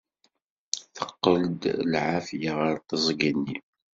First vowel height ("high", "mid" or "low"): mid